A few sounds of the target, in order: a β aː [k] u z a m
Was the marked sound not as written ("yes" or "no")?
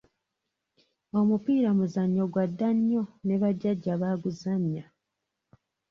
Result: yes